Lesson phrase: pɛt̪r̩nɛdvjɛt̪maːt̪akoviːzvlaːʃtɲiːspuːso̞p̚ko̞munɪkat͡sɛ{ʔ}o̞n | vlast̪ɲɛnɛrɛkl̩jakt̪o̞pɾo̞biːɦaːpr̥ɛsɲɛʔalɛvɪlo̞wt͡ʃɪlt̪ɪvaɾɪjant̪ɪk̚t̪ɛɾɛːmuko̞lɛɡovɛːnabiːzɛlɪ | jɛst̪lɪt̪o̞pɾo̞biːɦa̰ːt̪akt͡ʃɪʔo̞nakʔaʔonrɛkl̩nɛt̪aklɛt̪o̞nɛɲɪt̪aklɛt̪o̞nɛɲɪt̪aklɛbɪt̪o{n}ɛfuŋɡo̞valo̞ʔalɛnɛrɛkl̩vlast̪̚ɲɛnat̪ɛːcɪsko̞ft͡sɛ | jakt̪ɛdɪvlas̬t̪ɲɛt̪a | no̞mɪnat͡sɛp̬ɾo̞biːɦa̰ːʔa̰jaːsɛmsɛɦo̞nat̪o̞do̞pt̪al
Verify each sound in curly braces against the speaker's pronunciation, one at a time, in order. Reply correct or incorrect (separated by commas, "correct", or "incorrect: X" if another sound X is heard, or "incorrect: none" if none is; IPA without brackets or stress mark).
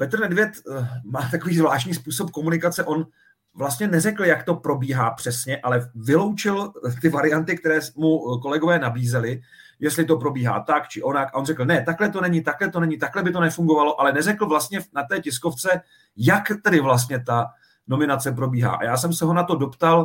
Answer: correct, correct